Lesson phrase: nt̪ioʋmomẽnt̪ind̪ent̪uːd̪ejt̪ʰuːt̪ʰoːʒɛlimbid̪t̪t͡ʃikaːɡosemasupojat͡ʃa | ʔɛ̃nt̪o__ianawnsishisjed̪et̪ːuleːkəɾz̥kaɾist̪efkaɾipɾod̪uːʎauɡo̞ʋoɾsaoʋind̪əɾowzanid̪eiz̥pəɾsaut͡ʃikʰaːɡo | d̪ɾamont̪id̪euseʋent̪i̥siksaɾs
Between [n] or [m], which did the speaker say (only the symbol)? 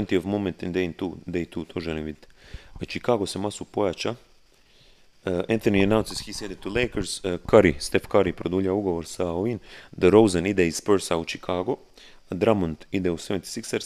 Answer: n